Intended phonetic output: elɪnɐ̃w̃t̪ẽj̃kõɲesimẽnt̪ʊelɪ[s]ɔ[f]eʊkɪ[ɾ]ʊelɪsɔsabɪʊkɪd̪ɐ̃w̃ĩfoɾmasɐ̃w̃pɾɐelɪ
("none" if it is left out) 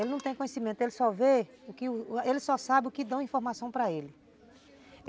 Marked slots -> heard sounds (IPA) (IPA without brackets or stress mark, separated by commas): s, v, none